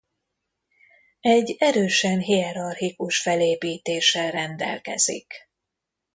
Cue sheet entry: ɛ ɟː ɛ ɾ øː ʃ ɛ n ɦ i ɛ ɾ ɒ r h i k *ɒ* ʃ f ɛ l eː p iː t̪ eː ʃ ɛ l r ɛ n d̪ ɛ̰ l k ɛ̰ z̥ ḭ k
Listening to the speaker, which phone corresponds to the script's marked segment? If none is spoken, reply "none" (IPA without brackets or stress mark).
u